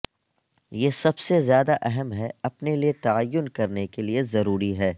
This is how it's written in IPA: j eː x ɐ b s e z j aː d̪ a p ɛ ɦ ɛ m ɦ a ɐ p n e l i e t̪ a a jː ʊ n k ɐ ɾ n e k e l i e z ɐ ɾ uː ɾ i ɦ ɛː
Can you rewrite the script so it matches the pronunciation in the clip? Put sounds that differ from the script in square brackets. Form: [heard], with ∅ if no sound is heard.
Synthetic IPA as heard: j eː [s] ɐ b s e z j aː d̪ a [ʔ] ɛ ɦ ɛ m ɦ [ɛ] ɐ p n e l i e t̪ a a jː ʊ n k ɐ ɾ n e k e l i e z ɐ ɾ uː ɾ i ɦ ɛː

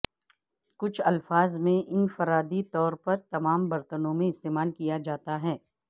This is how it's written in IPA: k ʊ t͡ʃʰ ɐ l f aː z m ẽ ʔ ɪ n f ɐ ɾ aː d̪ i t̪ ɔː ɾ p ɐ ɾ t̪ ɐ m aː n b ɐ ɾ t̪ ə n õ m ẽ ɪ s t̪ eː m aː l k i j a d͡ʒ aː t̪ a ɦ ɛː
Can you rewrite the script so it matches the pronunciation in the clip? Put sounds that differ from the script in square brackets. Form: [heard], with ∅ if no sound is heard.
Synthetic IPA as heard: k ʊ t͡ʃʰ ɐ l f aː z m ẽ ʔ ɪ n f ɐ ɾ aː d̪ i t̪ ɔː ɾ p ɐ ɾ t̪ ɐ m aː [m] b ɐ ɾ t̪ ə n õ m ẽ ɪ s t̪ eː m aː l k i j a d͡ʒ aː t̪ a ɦ ɛː

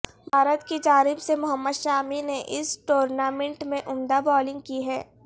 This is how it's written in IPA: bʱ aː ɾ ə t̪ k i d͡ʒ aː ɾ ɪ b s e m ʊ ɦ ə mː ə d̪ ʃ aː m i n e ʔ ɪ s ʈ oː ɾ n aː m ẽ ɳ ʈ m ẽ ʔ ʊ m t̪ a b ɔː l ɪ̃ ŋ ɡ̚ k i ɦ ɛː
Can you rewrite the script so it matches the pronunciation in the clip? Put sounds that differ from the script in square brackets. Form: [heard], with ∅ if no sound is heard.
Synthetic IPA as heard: bʱ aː ɾ ə t̪ k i d͡ʒ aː ɾ ɪ b s e m ʊ ɦ ə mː ə d̪ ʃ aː m i n e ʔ ɪ s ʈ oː ɾ n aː m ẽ ɳ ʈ m ẽ ʔ ʊ m [d̪] a b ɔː l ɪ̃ ŋ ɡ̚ k i ɦ ɛː

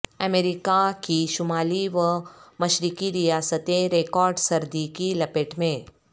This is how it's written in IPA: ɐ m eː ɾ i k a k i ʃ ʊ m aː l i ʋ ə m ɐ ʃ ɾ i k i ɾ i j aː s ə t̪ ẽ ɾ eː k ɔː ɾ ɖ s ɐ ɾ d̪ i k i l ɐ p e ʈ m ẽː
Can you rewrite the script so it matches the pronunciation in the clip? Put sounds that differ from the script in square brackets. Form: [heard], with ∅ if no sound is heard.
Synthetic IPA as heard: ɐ m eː ɾ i k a k i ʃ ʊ m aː l i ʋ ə m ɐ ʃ ɾ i k i ɾ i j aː s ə t̪ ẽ ɾ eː k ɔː ɾ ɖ s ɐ ɾ d̪ i k i l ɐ p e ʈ m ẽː

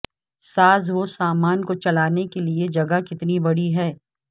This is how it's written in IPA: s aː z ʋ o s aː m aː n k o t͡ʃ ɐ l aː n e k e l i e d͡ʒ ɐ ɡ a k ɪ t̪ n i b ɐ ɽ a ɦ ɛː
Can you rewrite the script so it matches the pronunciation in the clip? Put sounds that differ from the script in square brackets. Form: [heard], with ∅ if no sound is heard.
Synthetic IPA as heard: s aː z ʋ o s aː m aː n k o t͡ʃ ɐ l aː n e k e l i e d͡ʒ ɐ ɡ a k ɪ t̪ n i b ɐ ɽ [i] ɦ ɛː

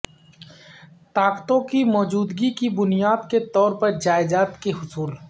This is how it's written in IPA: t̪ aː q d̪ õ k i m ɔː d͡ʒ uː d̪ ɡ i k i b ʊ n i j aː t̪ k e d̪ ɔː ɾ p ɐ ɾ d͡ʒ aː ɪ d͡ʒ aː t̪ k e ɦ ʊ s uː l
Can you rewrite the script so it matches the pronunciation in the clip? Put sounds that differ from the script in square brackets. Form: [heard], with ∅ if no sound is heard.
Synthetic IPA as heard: t̪ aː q [t̪] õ k i m ɔː d͡ʒ uː d̪ ɡ i k i b ʊ n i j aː [d̪] k e [t̪] ɔː ɾ p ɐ ɾ d͡ʒ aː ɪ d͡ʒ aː t̪ k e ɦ ʊ s uː l

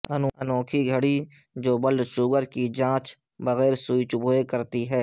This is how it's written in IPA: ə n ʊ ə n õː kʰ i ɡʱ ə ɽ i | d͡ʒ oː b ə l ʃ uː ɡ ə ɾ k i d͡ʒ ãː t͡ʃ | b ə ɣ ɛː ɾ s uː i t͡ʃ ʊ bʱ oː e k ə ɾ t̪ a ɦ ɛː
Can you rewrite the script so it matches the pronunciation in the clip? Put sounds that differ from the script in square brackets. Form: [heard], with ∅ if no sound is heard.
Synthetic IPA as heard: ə n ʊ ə n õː kʰ i ɡʱ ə ɽ i | d͡ʒ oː b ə l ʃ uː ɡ ə ɾ k i d͡ʒ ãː t͡ʃ | b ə ɣ ɛː ɾ s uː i t͡ʃ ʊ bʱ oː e k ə ɾ t̪ [i] ɦ ɛː

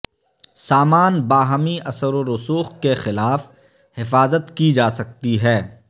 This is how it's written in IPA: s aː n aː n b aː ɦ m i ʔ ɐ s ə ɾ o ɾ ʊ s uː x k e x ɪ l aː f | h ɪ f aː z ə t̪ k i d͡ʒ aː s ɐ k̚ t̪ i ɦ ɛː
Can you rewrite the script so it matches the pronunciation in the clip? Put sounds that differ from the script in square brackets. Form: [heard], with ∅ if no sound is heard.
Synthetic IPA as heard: s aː [m] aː n b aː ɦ m i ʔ ɐ s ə ɾ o ɾ ʊ s uː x k e x ɪ l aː f | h ɪ f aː z ə t̪ k i d͡ʒ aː s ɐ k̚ t̪ i ɦ ɛː

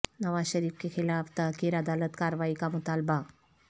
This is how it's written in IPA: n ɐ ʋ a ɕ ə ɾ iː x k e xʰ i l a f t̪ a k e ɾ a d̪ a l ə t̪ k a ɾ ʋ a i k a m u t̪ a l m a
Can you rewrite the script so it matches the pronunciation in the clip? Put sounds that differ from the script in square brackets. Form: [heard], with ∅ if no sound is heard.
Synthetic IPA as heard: n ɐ ʋ a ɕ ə ɾ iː [f] k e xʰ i l a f t̪ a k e ɾ a d̪ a l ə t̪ k a ɾ ʋ a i k a m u t̪ a l [b] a

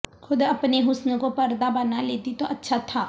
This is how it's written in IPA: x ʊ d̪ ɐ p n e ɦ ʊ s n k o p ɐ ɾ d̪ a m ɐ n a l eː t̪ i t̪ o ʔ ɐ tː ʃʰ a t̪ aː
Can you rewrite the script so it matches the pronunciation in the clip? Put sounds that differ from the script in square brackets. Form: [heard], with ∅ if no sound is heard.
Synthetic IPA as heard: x ʊ d̪ ɐ p n e ɦ ʊ s n k o p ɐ ɾ d̪ a [b] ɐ n a l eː t̪ i t̪ o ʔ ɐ tː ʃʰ a [t̪ʰ] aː

